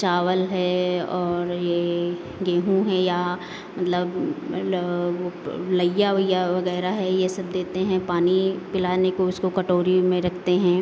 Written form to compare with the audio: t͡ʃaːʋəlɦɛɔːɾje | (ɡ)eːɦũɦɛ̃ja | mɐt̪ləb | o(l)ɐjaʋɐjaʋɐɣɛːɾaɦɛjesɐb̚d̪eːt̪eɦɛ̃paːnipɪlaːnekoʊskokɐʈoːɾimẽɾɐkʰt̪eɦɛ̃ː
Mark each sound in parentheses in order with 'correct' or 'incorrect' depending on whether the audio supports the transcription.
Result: correct, correct

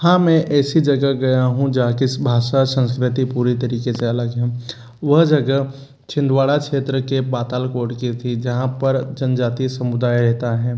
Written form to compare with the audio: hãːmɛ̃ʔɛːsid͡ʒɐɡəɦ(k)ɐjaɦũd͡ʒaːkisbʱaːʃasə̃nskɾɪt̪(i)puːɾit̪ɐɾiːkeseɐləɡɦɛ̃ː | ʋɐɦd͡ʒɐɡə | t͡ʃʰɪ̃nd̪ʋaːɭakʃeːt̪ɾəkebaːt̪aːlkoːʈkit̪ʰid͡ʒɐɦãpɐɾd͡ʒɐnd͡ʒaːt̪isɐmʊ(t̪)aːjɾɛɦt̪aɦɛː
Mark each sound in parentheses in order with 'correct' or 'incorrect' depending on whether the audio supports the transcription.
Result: incorrect: ɡ, correct, incorrect: d̪

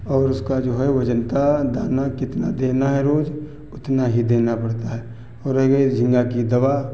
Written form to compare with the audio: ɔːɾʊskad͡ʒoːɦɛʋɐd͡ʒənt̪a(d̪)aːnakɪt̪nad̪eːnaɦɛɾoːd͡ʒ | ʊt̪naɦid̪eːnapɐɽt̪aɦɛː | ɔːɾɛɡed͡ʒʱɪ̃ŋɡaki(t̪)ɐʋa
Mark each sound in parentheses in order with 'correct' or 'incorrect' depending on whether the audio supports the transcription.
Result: correct, incorrect: d̪

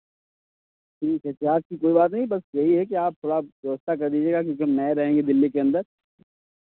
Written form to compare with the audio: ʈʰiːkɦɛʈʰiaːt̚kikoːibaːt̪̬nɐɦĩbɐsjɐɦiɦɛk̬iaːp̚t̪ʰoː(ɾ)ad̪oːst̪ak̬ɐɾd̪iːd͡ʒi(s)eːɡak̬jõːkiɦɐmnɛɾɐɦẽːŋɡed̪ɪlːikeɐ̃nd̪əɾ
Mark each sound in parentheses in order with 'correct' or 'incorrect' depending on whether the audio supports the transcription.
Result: incorrect: ɽ, incorrect: none

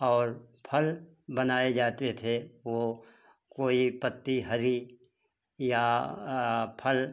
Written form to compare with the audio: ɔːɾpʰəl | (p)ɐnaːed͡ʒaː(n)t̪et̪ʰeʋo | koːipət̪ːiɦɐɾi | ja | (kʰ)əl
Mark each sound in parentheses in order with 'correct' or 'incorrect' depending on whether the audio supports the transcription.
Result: incorrect: b, incorrect: none, incorrect: pʰ

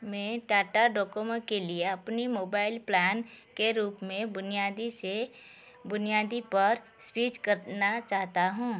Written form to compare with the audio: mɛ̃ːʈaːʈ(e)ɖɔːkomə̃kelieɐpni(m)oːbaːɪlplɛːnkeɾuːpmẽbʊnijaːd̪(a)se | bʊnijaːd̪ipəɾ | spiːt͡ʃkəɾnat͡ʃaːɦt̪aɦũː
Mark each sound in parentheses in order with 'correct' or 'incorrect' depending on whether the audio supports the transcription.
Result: incorrect: a, correct, incorrect: i

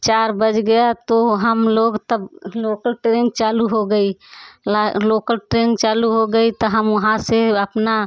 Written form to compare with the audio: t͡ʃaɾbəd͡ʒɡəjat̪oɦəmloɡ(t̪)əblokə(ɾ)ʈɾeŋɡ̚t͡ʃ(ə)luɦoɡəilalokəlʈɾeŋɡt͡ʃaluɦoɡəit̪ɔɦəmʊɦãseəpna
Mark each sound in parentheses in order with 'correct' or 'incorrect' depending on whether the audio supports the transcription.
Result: correct, incorrect: l, incorrect: a

